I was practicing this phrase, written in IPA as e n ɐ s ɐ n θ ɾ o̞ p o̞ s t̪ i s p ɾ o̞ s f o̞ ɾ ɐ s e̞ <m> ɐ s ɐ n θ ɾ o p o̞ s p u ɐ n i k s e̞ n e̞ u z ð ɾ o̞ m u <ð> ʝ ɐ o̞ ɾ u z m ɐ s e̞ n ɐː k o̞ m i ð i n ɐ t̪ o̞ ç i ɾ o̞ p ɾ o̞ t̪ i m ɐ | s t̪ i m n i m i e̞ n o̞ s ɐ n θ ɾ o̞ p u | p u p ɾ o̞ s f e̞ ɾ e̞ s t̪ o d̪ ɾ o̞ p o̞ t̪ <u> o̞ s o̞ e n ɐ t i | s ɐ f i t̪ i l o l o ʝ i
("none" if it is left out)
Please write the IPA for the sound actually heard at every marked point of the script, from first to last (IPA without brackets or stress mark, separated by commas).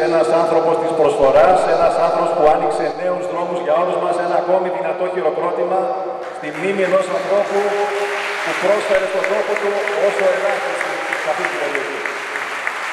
n, z, u